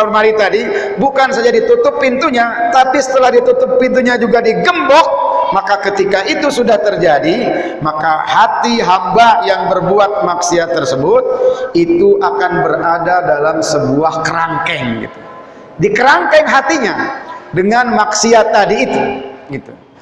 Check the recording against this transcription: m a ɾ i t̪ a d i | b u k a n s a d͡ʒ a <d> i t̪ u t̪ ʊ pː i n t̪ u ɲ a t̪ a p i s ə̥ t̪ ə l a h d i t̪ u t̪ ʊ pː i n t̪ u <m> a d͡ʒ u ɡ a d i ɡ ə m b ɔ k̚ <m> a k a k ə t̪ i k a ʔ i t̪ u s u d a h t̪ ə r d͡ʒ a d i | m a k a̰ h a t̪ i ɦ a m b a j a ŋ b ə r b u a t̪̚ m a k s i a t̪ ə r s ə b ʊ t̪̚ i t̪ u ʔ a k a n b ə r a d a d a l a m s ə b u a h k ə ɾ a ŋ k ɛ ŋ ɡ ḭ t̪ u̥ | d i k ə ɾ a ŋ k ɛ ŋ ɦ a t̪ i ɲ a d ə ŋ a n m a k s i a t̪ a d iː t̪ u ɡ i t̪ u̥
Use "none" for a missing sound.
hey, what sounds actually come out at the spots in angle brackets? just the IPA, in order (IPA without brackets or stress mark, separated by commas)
d, ɲ, m